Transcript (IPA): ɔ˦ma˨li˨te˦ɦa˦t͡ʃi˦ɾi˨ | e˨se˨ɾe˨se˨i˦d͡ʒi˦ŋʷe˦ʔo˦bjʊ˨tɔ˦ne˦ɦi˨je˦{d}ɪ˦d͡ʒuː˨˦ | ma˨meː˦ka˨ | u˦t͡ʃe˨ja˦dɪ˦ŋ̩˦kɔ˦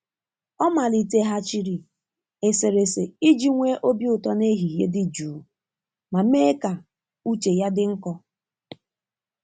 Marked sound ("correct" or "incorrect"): correct